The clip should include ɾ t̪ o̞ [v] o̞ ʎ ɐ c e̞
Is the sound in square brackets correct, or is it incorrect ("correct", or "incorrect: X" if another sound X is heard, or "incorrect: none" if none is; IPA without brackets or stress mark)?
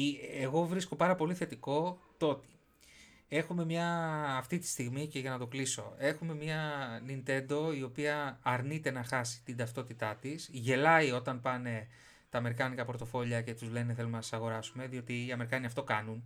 incorrect: f